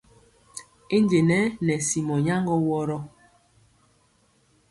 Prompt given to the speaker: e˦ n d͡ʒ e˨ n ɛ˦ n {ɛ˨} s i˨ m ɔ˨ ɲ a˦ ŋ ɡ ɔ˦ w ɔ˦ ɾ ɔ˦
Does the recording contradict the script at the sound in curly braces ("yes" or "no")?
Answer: no